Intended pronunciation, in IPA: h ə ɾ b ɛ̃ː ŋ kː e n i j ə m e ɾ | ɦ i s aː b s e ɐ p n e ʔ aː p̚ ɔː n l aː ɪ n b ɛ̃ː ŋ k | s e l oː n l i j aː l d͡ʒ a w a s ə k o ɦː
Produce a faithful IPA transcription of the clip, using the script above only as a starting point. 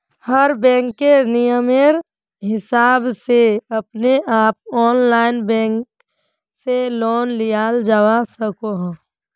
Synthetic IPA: h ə ɾ b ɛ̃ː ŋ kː e n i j ə m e ɾ | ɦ ɪ s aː b s e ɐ p n e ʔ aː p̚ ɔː n l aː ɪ n b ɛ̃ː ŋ k | s e l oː n l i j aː l d͡ʒ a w a s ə k o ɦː